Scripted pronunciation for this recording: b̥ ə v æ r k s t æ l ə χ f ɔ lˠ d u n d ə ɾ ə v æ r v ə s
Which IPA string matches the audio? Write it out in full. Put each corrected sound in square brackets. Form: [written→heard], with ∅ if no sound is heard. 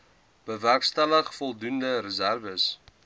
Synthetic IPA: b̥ ə v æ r k s t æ l ə χ f ɔ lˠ d u n d ə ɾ ə [v→z] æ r v ə s

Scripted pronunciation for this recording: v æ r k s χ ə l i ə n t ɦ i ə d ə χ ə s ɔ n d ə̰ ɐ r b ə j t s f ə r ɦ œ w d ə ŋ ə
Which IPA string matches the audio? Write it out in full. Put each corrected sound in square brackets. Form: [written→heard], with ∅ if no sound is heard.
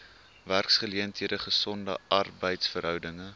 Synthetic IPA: v æ r k s χ ə l i ə n t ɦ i ə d ə χ ə s ɔ n d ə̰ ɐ r b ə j t s f ə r ɦ œ w d ə ŋ ə

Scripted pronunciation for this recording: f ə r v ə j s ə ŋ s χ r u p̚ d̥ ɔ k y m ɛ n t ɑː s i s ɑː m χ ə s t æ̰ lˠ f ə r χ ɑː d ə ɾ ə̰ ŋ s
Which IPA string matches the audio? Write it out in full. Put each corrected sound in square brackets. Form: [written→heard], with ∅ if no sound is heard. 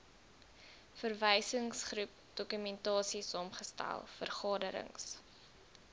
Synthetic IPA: f ə r v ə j s ə ŋ s χ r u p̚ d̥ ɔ k y m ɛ n t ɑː s i s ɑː m χ ə s t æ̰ lˠ f ə r χ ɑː d ə ɾ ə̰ ŋ s

